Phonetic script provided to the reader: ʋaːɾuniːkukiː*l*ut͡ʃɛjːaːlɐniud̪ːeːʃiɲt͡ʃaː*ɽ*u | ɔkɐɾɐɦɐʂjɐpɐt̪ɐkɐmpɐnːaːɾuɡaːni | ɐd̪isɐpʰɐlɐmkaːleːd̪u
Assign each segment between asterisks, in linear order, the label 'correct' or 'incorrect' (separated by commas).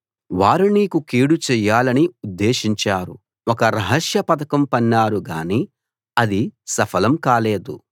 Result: incorrect, incorrect